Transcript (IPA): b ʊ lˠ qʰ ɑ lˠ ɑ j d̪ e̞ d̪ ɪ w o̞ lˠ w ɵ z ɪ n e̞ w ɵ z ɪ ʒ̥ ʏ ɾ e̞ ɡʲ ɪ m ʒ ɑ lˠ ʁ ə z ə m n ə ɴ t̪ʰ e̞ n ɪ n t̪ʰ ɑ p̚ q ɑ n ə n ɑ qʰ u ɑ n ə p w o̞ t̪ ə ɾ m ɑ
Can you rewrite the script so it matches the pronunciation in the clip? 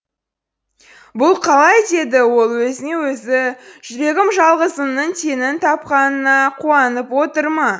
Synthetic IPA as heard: b ʊ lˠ qʰ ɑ lˠ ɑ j d̪ e̞ d̪ ɪ w o̞ lˠ w ɵ z ɪ n e̞ w ɵ z ɪ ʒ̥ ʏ ɾ e̞ ɡʲ ɪ m ʒ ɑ lˠ ʁ ə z ə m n ə ɴ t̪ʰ e̞ n ɪ n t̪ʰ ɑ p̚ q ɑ n ə n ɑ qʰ u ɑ n ə p w o̞ t̪ ə ɾ m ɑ